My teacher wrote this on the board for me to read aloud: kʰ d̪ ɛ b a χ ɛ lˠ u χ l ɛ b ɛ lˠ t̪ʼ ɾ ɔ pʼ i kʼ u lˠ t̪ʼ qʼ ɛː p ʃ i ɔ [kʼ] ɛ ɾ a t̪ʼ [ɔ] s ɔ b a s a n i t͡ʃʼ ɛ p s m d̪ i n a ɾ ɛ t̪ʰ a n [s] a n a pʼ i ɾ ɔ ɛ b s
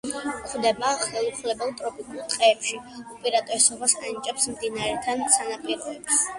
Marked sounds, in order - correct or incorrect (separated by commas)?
incorrect, correct, correct